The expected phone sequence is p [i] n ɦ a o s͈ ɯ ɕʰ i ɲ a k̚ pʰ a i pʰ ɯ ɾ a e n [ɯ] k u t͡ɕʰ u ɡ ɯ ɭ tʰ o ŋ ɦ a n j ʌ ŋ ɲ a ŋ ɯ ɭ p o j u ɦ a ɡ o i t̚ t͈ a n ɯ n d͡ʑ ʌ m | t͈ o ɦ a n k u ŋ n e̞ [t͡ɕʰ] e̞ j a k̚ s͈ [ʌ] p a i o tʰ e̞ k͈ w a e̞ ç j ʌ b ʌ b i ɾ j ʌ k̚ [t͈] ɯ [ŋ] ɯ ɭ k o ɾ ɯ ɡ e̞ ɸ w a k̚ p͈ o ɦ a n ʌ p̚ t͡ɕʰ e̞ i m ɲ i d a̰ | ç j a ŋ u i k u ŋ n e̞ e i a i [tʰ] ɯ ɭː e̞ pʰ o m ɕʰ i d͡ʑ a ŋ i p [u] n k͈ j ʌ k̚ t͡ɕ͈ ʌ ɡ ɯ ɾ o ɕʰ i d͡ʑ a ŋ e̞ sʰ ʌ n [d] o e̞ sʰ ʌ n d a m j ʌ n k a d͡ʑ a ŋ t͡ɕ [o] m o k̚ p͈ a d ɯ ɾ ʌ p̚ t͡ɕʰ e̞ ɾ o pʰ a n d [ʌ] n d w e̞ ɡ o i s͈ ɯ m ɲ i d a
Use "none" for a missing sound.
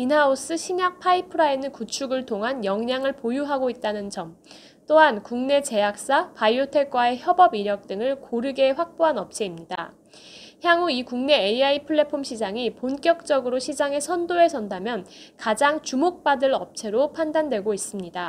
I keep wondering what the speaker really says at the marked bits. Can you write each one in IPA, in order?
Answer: i, ɯ, t͡ɕ, a, t͈, ŋ, pʰ, o, d, u, a

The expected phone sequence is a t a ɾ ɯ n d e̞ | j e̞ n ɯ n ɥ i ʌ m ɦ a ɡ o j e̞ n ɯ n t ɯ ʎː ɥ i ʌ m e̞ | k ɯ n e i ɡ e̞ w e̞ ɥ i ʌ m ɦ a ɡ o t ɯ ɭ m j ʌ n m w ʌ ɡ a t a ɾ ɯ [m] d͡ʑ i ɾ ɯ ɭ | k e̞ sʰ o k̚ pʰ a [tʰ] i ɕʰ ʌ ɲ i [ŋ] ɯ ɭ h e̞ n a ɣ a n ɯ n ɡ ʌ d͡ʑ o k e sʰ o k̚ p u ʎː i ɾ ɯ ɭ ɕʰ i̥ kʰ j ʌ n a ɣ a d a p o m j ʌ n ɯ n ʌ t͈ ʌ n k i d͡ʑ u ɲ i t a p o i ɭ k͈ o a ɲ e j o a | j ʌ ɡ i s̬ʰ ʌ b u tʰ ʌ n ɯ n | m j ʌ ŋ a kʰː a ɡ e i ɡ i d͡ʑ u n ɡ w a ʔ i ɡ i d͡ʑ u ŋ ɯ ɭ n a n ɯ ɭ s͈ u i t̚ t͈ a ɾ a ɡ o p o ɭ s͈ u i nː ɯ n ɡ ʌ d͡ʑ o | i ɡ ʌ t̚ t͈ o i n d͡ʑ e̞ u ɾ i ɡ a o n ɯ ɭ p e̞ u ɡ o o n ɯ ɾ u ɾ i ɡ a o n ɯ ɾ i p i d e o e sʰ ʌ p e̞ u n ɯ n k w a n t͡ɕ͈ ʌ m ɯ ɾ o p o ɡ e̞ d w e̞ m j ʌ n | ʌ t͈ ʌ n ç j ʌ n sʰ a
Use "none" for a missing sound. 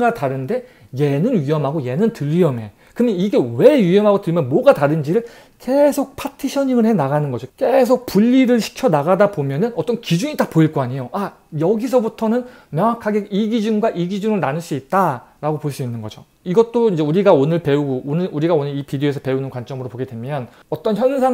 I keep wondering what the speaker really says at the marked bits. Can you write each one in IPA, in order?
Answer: n, tʰ, ŋ

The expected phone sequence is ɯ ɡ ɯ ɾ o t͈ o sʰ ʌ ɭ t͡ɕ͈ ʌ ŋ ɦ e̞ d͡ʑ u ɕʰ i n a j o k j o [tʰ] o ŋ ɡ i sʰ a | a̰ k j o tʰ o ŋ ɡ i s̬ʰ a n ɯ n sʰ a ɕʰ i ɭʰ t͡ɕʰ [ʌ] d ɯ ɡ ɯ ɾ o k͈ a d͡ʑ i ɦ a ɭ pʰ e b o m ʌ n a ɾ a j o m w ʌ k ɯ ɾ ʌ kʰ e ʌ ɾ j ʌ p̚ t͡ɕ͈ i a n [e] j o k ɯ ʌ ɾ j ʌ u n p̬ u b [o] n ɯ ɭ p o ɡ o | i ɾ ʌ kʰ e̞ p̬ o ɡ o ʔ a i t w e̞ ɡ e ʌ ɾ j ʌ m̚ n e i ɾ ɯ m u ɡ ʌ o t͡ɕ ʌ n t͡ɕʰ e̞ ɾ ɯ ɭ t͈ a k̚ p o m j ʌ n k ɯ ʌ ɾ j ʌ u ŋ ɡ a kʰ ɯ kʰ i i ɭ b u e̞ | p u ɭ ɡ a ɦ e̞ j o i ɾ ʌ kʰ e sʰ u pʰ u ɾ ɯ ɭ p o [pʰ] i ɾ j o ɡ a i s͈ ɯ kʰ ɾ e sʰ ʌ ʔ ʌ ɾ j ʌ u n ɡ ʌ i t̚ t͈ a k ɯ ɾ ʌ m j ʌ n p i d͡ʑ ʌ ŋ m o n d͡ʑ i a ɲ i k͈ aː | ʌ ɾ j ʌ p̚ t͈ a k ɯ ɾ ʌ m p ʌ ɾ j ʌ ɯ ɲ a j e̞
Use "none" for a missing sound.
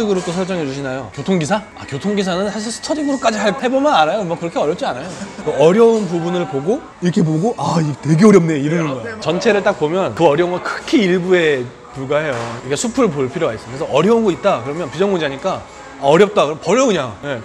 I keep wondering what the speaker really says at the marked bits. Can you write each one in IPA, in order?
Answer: tʰ, ʌ, a, u, pʰ

